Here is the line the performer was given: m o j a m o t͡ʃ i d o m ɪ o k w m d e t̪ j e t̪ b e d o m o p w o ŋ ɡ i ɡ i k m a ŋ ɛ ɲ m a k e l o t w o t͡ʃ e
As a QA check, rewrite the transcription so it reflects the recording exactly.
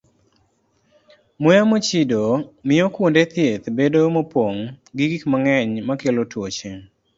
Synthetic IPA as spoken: m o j a m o t͡ʃ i d o m ɪ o k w n d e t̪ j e t̪ b e d o m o p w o ŋ ɡ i ɡ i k m a ŋ ɛ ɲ m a k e l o t w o t͡ʃ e